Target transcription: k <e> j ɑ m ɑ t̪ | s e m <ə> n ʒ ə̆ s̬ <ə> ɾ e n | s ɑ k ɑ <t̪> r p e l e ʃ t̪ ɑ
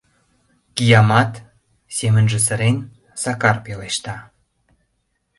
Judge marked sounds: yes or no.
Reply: no, yes, yes, no

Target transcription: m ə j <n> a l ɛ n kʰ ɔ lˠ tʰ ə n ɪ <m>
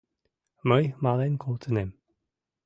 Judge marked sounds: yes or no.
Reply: no, yes

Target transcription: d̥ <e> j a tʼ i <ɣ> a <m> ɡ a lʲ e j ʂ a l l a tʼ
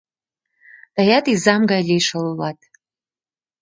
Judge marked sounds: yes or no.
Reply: no, no, yes

